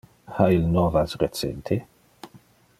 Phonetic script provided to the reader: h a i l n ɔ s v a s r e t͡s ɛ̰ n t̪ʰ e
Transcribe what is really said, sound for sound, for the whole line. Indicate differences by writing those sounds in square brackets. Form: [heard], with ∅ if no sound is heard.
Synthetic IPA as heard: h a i l n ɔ [∅] v a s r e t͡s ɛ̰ n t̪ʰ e